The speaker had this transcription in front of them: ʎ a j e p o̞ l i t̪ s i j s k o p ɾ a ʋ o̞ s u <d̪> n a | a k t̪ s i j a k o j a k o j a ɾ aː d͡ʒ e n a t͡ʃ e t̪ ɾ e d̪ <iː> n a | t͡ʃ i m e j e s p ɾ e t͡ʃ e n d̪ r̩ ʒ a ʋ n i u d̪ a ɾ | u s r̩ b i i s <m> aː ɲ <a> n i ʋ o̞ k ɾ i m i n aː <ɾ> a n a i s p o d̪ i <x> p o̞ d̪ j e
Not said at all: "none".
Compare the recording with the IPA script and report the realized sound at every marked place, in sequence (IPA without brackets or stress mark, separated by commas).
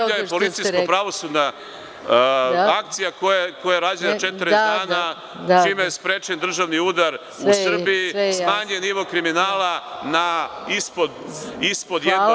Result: d̪, aː, m, e, l, s